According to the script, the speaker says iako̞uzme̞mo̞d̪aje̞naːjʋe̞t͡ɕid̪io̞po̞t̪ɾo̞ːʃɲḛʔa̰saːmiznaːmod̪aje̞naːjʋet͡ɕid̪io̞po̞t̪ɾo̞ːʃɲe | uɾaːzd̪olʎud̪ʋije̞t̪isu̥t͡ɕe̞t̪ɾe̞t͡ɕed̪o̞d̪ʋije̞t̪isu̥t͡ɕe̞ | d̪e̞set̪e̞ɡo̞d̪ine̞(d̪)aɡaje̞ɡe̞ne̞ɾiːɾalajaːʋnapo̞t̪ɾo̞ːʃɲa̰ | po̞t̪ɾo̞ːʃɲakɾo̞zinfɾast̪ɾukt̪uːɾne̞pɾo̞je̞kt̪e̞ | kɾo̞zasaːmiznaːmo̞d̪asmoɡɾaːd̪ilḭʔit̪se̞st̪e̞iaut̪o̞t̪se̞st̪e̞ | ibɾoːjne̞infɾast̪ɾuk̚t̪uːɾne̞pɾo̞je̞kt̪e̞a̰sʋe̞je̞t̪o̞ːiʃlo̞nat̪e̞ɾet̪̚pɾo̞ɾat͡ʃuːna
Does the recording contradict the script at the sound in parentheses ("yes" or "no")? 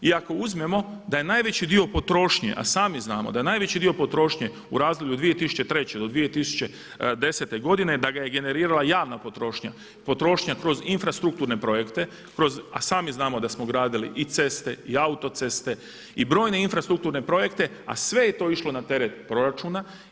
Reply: no